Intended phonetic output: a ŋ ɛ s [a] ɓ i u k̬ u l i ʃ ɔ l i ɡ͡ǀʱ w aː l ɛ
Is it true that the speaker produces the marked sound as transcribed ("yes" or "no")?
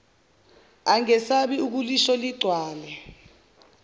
yes